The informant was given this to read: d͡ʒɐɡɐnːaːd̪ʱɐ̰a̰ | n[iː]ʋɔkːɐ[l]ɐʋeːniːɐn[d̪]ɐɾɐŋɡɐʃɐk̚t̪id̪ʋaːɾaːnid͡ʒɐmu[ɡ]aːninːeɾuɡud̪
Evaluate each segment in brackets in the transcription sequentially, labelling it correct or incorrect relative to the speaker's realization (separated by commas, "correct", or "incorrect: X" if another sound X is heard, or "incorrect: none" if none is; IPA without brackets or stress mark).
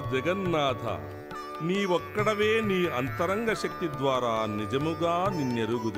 correct, incorrect: ɽ, incorrect: t̪, correct